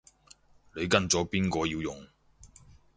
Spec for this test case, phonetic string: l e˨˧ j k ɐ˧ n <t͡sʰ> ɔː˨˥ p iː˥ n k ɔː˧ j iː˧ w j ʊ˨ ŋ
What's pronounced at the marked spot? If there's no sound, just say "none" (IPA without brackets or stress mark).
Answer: t͡s